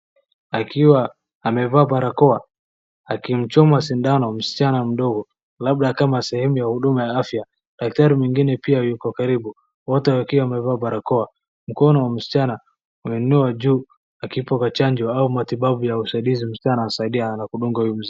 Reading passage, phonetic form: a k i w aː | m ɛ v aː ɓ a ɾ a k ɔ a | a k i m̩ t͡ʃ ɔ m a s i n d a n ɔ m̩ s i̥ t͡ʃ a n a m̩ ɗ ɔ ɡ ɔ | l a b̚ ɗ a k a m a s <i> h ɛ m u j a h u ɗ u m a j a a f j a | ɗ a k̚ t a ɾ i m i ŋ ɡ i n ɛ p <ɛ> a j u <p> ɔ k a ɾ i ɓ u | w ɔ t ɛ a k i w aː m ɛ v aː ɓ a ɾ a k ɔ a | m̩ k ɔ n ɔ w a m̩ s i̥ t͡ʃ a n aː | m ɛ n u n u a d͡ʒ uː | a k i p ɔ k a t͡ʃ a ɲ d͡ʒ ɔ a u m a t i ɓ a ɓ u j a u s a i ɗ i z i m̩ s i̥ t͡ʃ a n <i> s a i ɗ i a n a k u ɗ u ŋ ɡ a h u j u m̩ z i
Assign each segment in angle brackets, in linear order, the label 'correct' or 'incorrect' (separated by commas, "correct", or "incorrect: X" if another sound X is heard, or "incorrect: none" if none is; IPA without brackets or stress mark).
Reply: incorrect: ɛ, incorrect: i, incorrect: k, incorrect: a